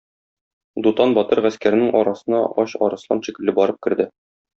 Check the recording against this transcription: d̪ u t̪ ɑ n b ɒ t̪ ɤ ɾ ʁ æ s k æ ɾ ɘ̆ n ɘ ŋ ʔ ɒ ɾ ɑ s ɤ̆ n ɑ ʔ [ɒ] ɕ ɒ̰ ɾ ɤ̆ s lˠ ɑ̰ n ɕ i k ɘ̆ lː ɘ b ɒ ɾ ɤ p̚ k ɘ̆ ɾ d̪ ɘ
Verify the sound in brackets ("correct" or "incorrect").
correct